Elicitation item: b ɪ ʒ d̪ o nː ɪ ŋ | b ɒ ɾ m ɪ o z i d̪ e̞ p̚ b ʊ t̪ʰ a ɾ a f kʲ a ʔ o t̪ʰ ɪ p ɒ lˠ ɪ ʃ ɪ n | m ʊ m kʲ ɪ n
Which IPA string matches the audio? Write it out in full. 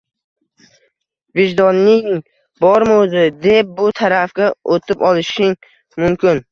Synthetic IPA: v ɪ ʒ d̪ ɒ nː ɪ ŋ | b ɒ ɾ m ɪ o z ɪ d̪ e̞ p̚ b ʊ t̪ʰ a ɾ a f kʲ a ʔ o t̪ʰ ɪ p ɒ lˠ ɪ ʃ ɪ ŋ | m ʊ m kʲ ɪ n